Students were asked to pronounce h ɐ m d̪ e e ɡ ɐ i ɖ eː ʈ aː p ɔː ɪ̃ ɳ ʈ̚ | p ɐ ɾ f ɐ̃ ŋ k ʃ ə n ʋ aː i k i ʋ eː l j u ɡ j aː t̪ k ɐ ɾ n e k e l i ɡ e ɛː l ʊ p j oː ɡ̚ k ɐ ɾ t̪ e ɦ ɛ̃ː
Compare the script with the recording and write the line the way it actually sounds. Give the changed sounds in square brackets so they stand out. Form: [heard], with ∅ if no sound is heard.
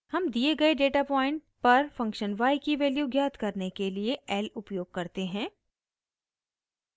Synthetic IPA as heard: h ɐ m d̪ [i] e ɡ ɐ [e] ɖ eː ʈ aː p ɔː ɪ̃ ɳ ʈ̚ | p ɐ ɾ f ɐ̃ ŋ k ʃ ə n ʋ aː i k i ʋ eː l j u ɡ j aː t̪ k ɐ ɾ n e k e l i [∅] e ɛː l ʊ p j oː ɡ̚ k ɐ ɾ t̪ e ɦ ɛ̃ː